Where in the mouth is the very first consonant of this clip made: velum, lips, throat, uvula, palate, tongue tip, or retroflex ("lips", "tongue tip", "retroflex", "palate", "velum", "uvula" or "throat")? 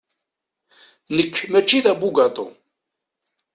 tongue tip